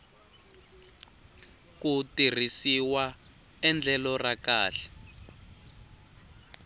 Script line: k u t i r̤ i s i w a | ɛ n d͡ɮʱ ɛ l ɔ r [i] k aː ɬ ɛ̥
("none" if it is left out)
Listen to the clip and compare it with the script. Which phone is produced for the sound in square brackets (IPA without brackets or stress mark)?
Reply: a